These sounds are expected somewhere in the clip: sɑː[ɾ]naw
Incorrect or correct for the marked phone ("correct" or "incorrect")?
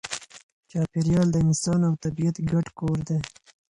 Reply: incorrect